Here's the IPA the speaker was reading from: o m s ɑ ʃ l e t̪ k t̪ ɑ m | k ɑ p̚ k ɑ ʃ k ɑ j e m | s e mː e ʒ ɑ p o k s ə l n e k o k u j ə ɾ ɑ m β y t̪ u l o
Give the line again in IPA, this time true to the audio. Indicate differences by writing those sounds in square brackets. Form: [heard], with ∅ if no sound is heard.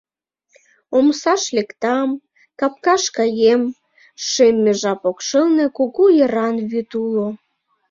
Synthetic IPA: o m s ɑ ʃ l e [∅] k t̪ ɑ m | k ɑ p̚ k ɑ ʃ k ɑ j e m | [ʃ] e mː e ʒ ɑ p o k [ʃ] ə l n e k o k u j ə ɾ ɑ [n] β y t̪ u l o